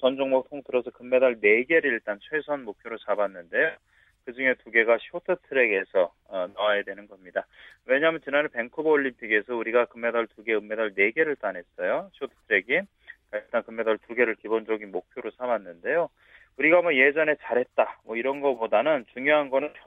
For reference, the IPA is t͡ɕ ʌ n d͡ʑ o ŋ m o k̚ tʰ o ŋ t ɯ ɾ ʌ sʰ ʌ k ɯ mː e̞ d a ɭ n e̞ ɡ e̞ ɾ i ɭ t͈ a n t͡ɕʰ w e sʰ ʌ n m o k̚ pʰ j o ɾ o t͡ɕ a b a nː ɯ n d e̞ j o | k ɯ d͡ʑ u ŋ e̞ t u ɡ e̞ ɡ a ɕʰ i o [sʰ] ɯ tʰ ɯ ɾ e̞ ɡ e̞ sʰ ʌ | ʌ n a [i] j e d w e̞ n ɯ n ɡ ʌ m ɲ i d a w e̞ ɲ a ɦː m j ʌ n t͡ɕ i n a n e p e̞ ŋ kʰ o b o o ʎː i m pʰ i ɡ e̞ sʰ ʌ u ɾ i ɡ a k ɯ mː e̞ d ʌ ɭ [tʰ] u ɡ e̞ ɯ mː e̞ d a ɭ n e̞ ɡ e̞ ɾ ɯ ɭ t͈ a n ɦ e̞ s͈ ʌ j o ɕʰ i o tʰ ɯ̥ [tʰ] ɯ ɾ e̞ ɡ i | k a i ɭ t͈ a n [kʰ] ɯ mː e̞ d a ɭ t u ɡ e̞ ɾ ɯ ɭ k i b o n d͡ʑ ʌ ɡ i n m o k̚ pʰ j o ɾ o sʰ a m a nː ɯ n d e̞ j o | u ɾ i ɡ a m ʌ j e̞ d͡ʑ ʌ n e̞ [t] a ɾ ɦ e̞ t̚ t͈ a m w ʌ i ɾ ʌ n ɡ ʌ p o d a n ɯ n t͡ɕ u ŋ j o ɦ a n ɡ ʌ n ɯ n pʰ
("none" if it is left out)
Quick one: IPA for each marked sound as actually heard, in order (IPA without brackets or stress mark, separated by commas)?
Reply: tʰ, a, t, tʰ, k, t͡ɕ